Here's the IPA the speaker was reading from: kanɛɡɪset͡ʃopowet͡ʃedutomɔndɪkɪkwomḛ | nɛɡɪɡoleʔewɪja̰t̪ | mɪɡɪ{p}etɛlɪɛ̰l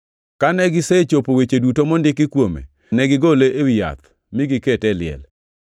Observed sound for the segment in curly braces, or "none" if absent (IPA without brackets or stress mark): k